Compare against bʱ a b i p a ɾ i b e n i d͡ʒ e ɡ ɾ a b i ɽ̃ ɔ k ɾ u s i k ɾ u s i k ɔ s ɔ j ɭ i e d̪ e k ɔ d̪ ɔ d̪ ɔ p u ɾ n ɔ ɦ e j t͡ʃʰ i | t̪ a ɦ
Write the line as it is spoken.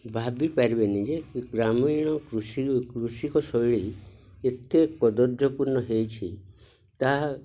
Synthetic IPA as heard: bʱ a b i p a ɾ i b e n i d͡ʒ e ɡ ɾ a m i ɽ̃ ɔ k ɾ u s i k ɾ u s i k ɔ s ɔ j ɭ i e t̪ e k ɔ d̪ ɔ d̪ ɔ p u ɾ n ɔ ɦ e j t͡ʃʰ i | t̪ a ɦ